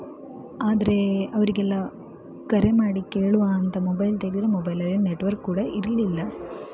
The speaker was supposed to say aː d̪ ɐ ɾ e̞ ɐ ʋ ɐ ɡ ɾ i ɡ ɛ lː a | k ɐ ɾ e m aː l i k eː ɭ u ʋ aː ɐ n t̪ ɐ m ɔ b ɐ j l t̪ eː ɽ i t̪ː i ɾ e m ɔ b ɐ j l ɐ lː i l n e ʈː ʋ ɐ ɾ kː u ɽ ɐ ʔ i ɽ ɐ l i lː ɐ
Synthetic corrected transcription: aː d̪ ɐ ɾ e̞ ɐ ʋ ɐ ɾ i ɡ ɛ lː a | k ɐ ɾ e m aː ɽ i k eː ɭ u ʋ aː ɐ n t̪ ɐ m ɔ b ɐ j l t̪ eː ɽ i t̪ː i ɾ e m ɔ b ɐ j l ɐ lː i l n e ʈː ʋ ɐ ɾ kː uː ɽ ɐ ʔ i ɾ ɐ l i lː ɐ